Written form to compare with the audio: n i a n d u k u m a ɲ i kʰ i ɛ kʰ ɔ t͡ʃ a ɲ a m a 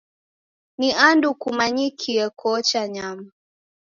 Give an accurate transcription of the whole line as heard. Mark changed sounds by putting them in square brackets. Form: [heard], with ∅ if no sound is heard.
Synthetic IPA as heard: n i a n d u k u m a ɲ i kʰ i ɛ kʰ ɔ t͡ʃ a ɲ a m a